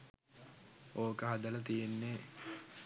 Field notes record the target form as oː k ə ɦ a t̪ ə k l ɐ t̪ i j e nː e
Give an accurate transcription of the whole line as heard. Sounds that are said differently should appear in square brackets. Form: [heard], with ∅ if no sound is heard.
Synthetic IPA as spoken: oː k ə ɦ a [d̪] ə [∅] l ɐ t̪ i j e nː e